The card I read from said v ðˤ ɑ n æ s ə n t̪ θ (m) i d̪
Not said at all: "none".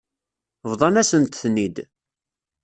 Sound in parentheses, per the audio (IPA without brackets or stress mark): n